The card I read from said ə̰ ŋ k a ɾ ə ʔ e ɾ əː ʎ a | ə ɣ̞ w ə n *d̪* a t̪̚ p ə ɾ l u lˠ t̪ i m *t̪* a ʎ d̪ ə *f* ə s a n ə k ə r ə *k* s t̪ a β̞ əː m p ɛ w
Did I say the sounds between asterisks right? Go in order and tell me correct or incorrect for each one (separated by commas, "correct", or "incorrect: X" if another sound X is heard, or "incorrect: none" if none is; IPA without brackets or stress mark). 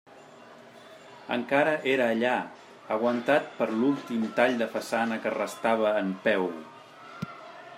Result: incorrect: t̪, correct, correct, incorrect: none